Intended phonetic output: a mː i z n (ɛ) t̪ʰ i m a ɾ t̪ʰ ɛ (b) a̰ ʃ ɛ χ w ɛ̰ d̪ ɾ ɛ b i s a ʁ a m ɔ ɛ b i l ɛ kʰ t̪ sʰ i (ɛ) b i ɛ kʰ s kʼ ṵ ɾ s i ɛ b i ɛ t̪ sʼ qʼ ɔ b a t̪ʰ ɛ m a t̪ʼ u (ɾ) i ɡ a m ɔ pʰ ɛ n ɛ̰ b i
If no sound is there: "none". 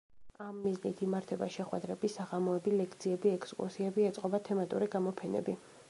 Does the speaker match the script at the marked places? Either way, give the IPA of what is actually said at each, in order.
i, b, ɛ, ɾ

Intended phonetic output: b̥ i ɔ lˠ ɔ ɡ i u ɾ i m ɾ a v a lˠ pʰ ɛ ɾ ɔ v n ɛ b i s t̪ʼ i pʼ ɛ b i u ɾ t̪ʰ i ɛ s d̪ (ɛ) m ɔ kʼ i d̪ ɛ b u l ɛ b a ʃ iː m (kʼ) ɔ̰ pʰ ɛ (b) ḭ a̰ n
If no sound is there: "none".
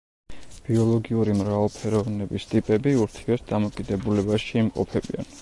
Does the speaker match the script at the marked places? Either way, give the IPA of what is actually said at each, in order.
a, qʼ, b

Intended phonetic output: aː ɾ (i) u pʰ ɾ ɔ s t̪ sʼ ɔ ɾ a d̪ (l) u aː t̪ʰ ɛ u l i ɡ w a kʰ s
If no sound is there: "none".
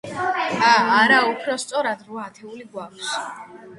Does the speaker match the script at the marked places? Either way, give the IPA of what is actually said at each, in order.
a, ɾ

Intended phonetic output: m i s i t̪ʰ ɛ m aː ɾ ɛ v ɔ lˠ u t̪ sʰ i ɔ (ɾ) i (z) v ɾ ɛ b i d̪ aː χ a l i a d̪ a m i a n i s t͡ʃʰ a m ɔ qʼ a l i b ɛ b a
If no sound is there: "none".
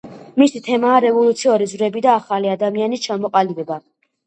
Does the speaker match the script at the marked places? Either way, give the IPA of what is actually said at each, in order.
ɾ, z

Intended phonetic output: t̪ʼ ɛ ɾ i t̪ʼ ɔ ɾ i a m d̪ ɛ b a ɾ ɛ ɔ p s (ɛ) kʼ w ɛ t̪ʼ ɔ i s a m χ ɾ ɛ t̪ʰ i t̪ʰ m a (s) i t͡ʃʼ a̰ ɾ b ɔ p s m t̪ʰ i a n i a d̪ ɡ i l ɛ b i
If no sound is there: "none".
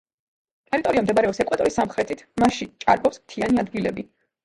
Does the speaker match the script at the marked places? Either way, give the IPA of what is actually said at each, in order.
ɛ, ʃ

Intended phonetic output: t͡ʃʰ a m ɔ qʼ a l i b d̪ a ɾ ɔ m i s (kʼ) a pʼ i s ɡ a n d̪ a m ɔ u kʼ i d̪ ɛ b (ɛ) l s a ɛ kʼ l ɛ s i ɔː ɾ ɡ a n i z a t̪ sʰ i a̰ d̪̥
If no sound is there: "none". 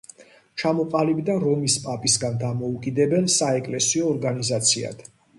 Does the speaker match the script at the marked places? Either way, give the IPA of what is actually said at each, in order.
pʼ, ɛ

